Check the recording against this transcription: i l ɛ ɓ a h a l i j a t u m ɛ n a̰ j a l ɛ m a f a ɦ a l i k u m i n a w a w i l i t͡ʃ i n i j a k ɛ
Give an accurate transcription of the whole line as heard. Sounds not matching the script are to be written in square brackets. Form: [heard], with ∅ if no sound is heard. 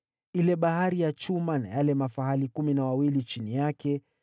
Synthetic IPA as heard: i l ɛ ɓ a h a [ɾ] i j a [t͡ʃ] u m [a] n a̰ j a l ɛ m a f a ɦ a l i k u m i n a w a w i l i t͡ʃ i n i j a k ɛ